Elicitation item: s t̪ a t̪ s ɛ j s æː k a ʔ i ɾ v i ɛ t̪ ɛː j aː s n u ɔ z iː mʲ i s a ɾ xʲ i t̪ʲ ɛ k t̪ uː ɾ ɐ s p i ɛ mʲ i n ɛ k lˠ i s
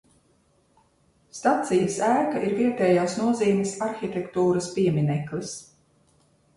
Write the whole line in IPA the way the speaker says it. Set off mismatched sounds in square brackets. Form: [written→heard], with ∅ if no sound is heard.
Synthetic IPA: s t̪ a t̪ s [ɛ→i] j s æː k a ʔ i ɾ v i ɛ t̪ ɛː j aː s n u ɔ z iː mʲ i s a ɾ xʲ i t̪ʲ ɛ k t̪ uː ɾ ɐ s p i ɛ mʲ i n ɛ k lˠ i s